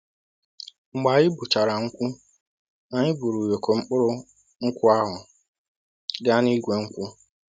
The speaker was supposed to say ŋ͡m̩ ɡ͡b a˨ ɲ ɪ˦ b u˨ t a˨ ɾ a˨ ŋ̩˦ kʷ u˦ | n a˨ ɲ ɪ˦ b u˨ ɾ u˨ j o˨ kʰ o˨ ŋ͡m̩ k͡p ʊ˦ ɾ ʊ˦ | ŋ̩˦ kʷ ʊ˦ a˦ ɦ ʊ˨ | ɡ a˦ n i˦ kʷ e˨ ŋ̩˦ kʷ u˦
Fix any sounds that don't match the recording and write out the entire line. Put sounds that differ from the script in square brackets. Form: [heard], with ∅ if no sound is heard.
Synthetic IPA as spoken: ŋ͡m̩ ɡ͡b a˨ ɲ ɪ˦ b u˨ [t͡ʃ] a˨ ɾ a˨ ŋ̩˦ kʷ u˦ | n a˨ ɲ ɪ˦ b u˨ ɾ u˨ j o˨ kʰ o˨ ŋ͡m̩ k͡p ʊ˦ ɾ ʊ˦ | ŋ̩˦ kʷ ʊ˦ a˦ ɦ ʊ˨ | ɡ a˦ n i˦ [ɡʷ] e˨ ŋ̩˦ kʷ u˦